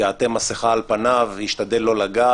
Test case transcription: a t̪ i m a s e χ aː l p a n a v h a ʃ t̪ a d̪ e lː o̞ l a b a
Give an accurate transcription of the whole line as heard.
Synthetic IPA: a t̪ e m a s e χ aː l p a n a v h i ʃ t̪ a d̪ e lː o̞ l a ɡ a